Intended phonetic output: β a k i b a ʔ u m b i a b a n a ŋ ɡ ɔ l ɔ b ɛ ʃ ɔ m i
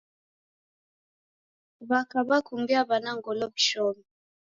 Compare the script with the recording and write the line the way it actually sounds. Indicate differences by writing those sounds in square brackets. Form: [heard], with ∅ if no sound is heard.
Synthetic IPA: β a k [a] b a [k] u m b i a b a n a ŋ ɡ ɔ l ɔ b [i] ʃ ɔ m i